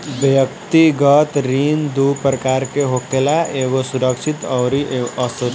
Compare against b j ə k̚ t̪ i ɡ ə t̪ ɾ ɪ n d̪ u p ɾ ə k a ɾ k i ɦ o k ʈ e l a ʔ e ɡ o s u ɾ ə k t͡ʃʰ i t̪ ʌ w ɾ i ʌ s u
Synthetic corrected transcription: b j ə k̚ t̪ i ɡ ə t̪ ɾ i n d̪ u p ɾ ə k a ɾ k e ɦ o k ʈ e l a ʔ e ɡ o s u ɾ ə k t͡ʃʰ i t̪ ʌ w ɾ i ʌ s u